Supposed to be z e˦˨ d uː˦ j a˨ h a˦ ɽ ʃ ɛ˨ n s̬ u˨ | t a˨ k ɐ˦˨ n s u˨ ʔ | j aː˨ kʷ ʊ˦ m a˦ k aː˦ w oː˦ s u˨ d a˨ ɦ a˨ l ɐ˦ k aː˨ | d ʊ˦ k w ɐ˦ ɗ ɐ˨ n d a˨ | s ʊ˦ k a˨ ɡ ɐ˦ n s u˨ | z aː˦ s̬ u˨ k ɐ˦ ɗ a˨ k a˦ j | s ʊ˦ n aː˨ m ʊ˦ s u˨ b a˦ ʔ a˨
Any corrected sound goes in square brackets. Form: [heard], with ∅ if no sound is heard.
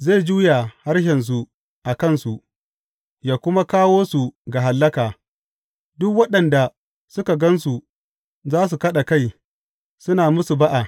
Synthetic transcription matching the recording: z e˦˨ [d͡ʒ] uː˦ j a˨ h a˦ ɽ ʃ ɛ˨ n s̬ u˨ | [ʔ] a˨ k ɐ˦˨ n s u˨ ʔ | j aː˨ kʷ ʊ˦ m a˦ k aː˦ w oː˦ s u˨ [ɡ] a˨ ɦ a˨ [lː] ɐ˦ k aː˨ | d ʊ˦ k w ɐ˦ ɗ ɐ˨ n d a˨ | s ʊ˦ k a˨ ɡ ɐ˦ n s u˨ | z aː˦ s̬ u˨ k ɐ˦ ɗ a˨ k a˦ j | s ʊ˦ n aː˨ m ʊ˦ s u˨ b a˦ ʔ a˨